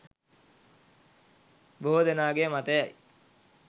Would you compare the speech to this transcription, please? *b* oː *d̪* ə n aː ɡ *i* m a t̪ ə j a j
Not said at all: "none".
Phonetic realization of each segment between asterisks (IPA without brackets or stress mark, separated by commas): b, d̪, e